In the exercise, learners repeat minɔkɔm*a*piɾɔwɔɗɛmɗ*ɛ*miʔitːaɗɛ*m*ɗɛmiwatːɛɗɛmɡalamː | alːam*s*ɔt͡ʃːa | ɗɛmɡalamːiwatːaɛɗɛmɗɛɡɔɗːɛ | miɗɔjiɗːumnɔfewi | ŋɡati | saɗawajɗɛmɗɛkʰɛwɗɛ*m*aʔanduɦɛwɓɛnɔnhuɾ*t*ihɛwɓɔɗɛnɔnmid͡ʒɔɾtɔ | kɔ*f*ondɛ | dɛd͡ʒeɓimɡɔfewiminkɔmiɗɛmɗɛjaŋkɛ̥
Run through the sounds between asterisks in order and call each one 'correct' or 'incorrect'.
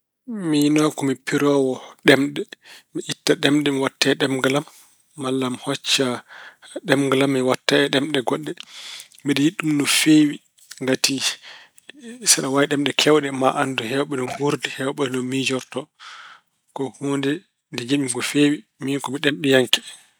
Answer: incorrect: i, correct, correct, incorrect: h, correct, incorrect: d, incorrect: h

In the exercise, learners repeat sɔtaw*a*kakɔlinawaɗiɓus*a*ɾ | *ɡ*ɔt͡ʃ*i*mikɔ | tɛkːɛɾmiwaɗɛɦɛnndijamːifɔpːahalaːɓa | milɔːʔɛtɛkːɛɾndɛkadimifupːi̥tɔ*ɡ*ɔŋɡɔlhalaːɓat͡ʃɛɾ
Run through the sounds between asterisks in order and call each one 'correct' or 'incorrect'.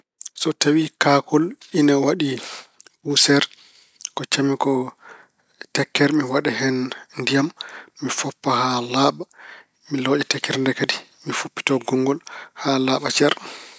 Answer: incorrect: i, incorrect: ɛ, incorrect: k, incorrect: a, correct

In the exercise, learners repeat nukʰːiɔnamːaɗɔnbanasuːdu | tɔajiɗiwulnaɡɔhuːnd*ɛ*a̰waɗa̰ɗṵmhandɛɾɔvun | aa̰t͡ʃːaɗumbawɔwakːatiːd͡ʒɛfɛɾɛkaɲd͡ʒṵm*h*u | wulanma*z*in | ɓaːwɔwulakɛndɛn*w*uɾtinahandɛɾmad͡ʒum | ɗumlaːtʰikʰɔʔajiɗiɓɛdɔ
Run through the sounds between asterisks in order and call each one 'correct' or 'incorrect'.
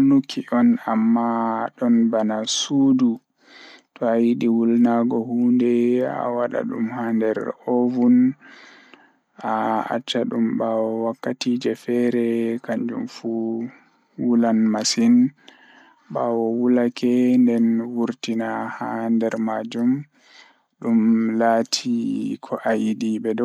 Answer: correct, incorrect: f, incorrect: s, correct

